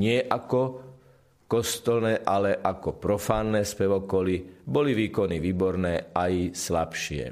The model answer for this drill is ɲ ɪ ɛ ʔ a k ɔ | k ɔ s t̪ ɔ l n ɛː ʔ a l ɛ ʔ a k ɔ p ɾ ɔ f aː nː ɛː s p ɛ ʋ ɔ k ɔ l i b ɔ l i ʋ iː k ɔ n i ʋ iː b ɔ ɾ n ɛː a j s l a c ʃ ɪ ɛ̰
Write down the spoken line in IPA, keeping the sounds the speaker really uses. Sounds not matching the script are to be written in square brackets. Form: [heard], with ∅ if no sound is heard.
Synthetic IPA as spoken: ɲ ɪ ɛ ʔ a k ɔ | k ɔ s t̪ ɔ l n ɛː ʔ a l ɛ ʔ a k ɔ p ɾ ɔ f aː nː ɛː s p ɛ ʋ ɔ k ɔ l i b ɔ l i ʋ iː k ɔ n i ʋ iː b ɔ ɾ n ɛː a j s l a [p] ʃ ɪ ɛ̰